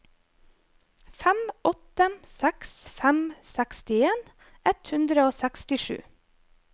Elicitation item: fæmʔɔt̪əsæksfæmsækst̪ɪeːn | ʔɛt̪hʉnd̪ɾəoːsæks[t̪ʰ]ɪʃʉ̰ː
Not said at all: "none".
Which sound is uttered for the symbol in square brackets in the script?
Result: t̪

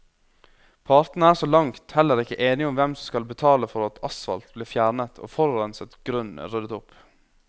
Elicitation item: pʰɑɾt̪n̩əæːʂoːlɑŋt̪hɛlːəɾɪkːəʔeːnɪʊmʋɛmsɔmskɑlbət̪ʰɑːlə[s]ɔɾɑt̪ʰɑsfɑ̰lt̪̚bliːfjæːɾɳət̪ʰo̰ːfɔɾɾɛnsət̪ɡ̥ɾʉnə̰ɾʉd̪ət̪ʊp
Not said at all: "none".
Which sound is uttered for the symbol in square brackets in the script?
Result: f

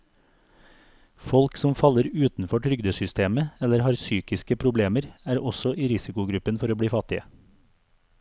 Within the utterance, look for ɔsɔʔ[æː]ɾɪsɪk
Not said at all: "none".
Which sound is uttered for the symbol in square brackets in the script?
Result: iː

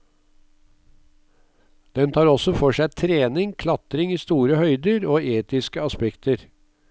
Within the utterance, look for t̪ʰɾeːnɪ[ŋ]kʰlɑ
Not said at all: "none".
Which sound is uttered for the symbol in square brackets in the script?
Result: ŋ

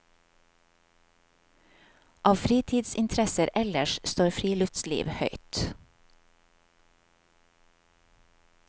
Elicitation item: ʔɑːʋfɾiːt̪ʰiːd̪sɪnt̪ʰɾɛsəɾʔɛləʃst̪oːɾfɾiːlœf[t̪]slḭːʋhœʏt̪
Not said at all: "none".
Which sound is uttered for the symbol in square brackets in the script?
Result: t̪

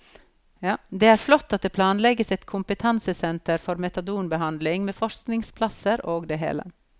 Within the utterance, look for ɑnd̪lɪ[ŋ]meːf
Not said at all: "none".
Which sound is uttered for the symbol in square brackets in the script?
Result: ŋ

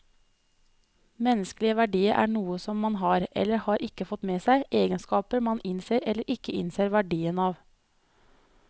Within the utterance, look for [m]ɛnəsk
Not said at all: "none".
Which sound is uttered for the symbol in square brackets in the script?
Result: m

